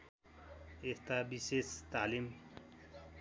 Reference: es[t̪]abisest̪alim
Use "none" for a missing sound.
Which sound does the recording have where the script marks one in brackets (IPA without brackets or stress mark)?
t̪